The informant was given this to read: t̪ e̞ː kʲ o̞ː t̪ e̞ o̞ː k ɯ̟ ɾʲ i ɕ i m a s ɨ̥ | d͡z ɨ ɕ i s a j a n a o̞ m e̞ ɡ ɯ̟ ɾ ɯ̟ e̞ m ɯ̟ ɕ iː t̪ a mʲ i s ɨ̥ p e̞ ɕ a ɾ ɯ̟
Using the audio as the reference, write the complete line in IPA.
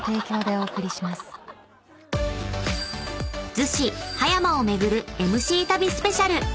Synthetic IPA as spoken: t̪ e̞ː kʲ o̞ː d̪ e̞ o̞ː k ɯ̟ ɾʲ i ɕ i m a s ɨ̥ | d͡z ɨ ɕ i h a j a m a o̞ m e̞ ɡ ɯ̟ ɾ ɯ̟ e̞ m ɯ̟ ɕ iː t̪ a bʲ i s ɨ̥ p e̞ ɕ a ɾ ɯ̟